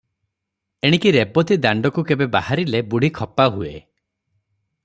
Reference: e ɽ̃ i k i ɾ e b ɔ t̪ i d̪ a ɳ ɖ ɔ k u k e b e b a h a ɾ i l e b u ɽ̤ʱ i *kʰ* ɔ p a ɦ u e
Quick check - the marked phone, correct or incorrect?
correct